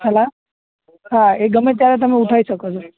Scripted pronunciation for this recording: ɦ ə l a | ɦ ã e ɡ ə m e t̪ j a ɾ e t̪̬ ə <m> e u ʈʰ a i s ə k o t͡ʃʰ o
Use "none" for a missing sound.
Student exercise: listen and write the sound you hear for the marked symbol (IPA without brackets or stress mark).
m